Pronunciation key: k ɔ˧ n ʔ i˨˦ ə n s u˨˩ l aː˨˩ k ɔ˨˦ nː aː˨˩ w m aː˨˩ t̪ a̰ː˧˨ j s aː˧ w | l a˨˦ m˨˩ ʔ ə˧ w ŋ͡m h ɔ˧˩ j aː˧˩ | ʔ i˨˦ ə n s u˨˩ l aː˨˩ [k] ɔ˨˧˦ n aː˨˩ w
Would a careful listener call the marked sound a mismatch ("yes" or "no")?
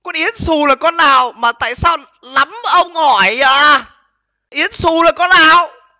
no